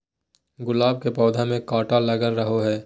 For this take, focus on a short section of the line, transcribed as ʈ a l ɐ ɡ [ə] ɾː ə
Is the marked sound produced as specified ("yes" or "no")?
yes